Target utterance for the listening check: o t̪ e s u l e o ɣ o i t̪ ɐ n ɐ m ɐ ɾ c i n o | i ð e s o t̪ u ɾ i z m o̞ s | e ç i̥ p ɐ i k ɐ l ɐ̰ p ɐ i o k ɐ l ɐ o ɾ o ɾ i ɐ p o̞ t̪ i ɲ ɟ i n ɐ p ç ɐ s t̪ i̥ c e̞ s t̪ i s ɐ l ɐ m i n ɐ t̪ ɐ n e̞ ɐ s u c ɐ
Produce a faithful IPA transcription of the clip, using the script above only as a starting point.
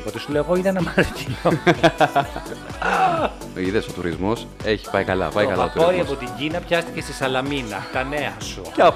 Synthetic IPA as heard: o t̪ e s u l e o ɣ o i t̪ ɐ n ɐ m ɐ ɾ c i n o | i ð e s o t̪ u ɾ i z m o̞ s | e ç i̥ p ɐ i k ɐ l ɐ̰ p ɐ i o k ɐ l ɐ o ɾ o ɾ i ɐ p o̞ t̪ i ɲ ɟ i n ɐ p ç ɐ s t̪ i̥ c e̞ s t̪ i s ɐ l ɐ m i n ɐ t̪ ɐ n e̞ ɐ s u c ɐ